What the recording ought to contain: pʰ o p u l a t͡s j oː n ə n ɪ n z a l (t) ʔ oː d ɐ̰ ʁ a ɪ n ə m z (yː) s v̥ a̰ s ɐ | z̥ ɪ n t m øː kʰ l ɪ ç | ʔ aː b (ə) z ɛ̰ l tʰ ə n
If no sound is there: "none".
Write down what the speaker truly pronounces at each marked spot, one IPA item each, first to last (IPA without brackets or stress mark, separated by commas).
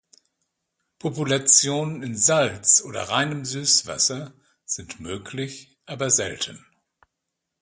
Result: t͡s, yː, ɐ